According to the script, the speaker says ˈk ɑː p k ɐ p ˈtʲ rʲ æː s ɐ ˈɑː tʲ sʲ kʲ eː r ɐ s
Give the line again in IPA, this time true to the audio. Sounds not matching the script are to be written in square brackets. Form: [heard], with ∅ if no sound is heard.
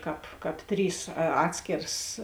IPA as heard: ˈk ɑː p k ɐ p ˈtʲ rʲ [iː] s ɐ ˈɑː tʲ sʲ kʲ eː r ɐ s